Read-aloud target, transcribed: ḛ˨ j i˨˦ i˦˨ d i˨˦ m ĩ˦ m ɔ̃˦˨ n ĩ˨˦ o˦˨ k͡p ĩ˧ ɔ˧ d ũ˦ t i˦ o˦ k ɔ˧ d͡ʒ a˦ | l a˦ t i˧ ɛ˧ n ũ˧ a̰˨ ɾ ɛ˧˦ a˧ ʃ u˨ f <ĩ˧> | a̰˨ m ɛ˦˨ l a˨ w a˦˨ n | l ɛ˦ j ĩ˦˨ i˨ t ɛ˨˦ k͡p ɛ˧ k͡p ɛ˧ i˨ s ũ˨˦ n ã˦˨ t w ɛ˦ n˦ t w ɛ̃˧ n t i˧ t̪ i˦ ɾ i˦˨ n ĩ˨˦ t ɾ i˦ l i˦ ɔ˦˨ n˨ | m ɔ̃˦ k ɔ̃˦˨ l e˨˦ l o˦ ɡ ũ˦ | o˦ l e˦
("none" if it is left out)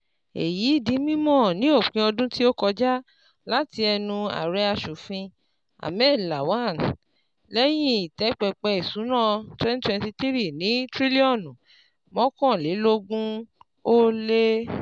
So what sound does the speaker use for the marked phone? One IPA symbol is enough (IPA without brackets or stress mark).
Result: ĩ˧